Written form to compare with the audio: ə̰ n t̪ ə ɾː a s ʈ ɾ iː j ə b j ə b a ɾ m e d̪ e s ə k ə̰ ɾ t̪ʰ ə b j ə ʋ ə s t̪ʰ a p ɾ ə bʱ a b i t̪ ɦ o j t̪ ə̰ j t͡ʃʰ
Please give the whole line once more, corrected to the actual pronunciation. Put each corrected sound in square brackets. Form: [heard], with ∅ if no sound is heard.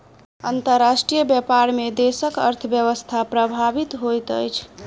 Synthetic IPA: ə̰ n t̪ ə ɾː a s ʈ ɾ [i] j ə b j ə [p] a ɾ m e d̪ e s ə k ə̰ ɾ t̪ʰ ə b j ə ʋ ə s t̪ʰ a p ɾ ə bʱ a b i t̪ ɦ o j t̪ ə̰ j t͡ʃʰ